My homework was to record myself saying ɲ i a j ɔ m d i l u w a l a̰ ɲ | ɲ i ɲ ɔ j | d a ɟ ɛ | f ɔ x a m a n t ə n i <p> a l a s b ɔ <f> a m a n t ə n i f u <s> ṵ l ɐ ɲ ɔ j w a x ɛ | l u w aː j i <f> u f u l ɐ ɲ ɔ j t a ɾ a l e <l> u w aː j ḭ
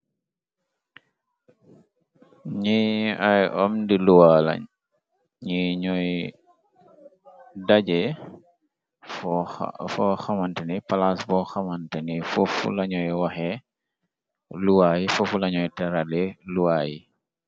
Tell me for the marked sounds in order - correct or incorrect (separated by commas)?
correct, incorrect, incorrect, correct, correct